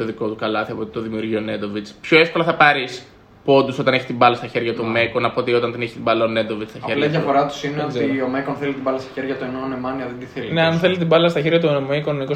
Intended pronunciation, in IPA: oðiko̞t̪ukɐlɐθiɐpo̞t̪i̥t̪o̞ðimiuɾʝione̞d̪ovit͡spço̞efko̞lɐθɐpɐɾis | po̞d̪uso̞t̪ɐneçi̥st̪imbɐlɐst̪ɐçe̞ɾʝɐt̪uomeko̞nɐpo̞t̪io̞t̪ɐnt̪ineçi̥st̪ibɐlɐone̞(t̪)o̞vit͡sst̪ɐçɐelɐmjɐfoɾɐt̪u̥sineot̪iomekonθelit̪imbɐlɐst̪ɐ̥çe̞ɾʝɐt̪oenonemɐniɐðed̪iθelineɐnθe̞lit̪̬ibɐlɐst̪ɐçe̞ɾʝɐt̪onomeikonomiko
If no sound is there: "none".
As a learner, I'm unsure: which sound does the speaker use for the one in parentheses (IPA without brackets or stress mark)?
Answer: d̪